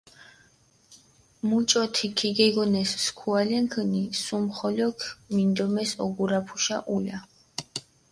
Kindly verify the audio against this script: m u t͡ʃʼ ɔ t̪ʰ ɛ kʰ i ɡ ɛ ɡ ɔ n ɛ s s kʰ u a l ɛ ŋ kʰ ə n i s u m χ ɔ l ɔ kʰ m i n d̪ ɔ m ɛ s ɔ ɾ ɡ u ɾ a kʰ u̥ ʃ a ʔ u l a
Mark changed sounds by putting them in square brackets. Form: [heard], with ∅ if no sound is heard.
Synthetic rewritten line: m u t͡ʃʼ ɔ t̪ʰ [i] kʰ i ɡ ɛ ɡ ɔ n ɛ s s kʰ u a l ɛ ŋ kʰ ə n i s u m χ ɔ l ɔ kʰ m i n d̪ ɔ m ɛ s ɔ [∅] ɡ u ɾ a [pʰ] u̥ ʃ a ʔ u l a

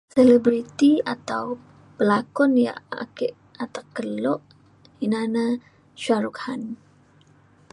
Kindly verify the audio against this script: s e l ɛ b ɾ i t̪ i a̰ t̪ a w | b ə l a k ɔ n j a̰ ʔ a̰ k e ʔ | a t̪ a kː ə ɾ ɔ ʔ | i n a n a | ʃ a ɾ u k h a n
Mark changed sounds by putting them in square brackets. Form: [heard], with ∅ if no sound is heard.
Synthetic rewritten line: s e l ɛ b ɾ i t̪ i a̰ t̪ a w | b ə l a k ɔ n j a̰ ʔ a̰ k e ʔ | a t̪ a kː ə [l] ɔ ʔ | i n a n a | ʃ a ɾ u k h a n

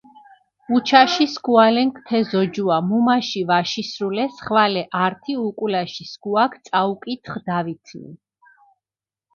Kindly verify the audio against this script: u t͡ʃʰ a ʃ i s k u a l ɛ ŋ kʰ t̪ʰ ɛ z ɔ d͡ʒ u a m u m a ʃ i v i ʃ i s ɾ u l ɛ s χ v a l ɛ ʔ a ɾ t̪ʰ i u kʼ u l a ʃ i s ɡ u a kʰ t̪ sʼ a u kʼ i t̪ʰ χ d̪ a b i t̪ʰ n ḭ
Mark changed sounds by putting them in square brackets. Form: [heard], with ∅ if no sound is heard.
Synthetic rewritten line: u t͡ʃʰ a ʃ i s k u a l ɛ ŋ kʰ t̪ʰ ɛ z ɔ d͡ʒ u a m u m a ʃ i v [a] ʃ i s ɾ u l ɛ s χ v a l ɛ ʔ a ɾ t̪ʰ i u kʼ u l a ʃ i s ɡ u a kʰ t̪ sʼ a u kʼ i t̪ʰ χ d̪ a [v] i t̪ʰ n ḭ

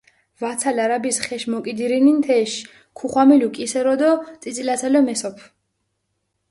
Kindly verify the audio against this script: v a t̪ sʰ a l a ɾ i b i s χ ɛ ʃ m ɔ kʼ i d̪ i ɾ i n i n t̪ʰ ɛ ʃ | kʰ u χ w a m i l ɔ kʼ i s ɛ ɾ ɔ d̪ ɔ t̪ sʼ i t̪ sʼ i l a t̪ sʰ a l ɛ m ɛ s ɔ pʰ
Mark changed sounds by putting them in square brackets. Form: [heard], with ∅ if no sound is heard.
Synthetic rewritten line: v a t̪ sʰ a l a ɾ [a] b i s χ ɛ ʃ m ɔ kʼ i d̪ i ɾ i n i n t̪ʰ ɛ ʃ | kʰ u χ w a m i l [u] kʼ i s ɛ ɾ ɔ d̪ ɔ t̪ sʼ i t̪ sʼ i l a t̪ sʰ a l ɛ m ɛ s ɔ pʰ

